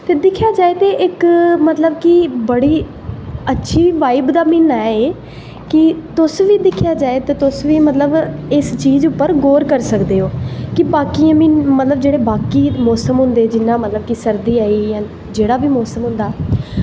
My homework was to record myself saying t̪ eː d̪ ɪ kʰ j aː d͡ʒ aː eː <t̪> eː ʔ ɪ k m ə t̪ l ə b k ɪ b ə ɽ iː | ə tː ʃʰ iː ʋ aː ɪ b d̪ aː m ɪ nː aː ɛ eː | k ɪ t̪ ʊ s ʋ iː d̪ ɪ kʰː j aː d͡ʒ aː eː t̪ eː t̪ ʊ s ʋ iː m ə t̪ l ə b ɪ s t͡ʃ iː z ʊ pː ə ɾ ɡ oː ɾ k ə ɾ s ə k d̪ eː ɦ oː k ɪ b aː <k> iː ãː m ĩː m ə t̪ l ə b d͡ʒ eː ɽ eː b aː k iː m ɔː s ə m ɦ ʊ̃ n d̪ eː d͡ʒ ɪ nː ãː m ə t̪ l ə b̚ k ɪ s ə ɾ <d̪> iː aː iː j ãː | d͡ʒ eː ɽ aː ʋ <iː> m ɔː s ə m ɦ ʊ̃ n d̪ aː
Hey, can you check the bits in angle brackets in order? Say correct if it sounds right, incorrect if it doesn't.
correct, correct, correct, correct

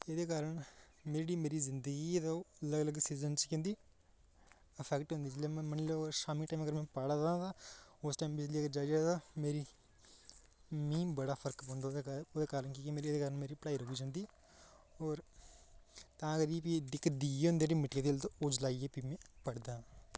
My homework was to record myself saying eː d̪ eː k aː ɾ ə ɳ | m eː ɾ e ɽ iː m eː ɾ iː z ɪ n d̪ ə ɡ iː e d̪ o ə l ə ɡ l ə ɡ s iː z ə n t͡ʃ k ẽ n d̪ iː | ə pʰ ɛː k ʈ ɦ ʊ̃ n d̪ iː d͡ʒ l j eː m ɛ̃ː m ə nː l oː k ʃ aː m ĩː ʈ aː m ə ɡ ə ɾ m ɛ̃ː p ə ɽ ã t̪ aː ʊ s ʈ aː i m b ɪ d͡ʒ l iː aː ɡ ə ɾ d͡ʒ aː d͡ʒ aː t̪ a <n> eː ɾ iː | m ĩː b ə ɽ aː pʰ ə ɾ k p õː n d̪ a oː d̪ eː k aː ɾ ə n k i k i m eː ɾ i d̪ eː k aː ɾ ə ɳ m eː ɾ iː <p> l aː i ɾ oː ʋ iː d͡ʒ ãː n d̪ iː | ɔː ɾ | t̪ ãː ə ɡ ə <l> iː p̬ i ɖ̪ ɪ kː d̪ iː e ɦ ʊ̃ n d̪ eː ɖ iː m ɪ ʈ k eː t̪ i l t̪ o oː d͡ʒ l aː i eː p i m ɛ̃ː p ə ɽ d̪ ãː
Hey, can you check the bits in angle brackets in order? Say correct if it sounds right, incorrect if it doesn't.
incorrect, correct, incorrect

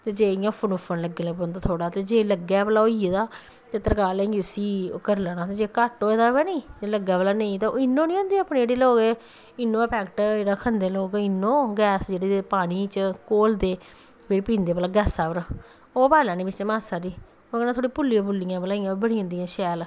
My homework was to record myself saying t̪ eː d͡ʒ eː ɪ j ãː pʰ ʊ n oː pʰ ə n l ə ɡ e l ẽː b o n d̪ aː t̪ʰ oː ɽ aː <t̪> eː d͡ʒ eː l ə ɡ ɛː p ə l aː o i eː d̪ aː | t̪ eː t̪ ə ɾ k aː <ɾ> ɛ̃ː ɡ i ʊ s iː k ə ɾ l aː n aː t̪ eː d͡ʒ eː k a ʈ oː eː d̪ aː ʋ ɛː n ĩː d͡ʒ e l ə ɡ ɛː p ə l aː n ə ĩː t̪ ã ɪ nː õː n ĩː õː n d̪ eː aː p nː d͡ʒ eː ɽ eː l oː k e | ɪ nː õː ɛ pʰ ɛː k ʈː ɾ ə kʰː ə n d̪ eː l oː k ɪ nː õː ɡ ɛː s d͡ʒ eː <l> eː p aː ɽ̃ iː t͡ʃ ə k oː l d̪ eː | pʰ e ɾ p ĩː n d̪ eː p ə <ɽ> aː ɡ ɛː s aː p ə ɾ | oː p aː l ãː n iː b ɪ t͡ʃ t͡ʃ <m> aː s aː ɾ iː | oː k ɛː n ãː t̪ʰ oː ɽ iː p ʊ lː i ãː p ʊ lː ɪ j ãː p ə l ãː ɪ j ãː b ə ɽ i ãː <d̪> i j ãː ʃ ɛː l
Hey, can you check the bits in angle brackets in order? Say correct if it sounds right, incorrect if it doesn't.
correct, incorrect, incorrect, incorrect, correct, correct

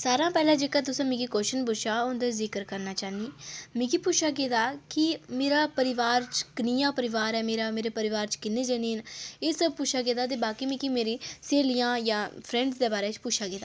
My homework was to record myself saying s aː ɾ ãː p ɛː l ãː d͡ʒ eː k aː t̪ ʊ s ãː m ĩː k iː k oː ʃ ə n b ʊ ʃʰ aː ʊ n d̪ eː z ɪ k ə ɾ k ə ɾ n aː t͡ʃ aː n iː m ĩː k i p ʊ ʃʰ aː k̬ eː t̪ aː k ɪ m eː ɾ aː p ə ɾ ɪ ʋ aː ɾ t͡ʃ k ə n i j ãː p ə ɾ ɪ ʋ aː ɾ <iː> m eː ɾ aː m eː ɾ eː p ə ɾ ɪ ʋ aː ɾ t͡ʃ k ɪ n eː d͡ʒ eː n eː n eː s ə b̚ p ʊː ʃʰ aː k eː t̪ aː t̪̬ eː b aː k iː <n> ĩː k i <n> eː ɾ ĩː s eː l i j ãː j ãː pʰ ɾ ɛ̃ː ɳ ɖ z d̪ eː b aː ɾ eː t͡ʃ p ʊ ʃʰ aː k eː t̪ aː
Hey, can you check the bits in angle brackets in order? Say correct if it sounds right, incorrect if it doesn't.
incorrect, incorrect, incorrect

